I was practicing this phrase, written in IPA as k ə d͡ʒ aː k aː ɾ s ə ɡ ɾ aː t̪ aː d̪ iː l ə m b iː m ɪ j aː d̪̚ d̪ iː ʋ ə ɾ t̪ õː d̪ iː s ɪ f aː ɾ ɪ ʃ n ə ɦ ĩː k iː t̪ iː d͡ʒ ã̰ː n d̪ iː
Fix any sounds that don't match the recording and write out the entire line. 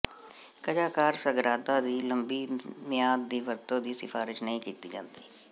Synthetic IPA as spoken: k ə d͡ʒ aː k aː ɾ s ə ɡ ɾ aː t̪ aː d̪ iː l ə m b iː m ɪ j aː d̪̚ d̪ iː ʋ ə ɾ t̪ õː d̪ iː s ɪ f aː ɾ ɪ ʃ n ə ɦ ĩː k iː t̪ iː d͡ʒ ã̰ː n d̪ iː

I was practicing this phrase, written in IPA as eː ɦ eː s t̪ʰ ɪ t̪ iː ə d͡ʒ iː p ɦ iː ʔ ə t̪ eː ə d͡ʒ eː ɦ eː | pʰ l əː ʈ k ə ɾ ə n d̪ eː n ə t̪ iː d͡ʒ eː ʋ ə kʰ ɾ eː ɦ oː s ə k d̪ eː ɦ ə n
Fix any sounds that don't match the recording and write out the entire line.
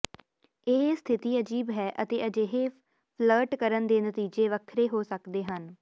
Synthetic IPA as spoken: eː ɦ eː s t̪ʰ ɪ t̪ iː ə d͡ʒ iː b ɦ ɛː ʔ ə t̪ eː ə d͡ʒ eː ɦ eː | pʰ l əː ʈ k ə ɾ ə n d̪ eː n ə t̪ iː d͡ʒ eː ʋ ə kʰ ɾ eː ɦ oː s ə k d̪ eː ɦ ə n

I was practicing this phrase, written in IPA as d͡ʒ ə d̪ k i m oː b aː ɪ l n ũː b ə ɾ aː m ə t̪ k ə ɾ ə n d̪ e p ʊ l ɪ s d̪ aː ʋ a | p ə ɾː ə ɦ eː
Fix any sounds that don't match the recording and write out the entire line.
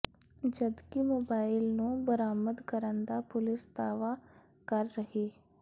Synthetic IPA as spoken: d͡ʒ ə d̪ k i m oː b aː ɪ l n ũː b ə ɾ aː m ə d̪ k ə ɾ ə n d̪ a p ʊ l ɪ s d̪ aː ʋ a | k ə ɾː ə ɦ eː

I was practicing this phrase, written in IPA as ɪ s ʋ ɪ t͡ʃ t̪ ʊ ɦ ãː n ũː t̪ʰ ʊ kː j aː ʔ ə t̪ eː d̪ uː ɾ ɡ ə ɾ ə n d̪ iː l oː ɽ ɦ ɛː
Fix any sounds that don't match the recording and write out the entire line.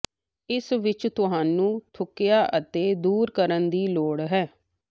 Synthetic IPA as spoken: ɪ s ʋ ɪ t͡ʃ t̪ ʊ ɦ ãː n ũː t̪ʰ ʊ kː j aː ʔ ə t̪ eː d̪ uː ɾ k ə ɾ ə n d̪ iː l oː ɽ ɦ ɛː

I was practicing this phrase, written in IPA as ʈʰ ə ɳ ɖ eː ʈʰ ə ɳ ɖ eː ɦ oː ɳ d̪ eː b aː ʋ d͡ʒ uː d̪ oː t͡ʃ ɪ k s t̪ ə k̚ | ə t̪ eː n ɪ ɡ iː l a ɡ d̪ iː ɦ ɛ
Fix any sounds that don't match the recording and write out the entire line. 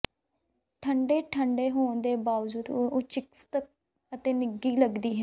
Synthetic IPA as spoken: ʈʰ ə ɳ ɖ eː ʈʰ ə ɳ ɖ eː ɦ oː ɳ d̪ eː b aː ʋ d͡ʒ uː d̪ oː t͡ʃ ɪ k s t̪ ə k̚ | ə t̪ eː n ɪ ɡ iː l ə ɡ d̪ iː ɦ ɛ

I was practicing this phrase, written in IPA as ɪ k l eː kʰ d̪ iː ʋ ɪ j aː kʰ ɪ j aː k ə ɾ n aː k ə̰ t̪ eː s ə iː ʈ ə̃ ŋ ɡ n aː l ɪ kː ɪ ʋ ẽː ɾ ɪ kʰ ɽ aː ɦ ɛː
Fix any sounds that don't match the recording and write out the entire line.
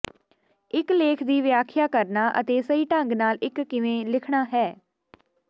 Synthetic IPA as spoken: ɪ k l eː kʰ d̪ iː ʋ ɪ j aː kʰ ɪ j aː k ə ɾ n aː ʔ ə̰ t̪ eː s ə iː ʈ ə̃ ŋ ɡ n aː l ɪ kː ɪ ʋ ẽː l ɪ kʰ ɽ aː ɦ ɛː

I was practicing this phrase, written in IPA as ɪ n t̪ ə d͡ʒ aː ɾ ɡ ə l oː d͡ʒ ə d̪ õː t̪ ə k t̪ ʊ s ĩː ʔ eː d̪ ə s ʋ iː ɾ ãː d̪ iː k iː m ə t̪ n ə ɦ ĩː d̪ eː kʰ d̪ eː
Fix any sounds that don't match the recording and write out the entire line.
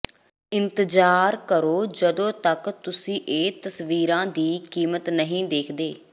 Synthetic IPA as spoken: ɪ n t̪ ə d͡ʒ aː ɾ k ə ɾ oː d͡ʒ ə d̪ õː t̪ ə k t̪ ʊ s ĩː ʔ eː t̪ ə s ʋ iː ɾ ãː d̪ iː k iː m ə t̪ n ə ɦ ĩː d̪ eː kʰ d̪ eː

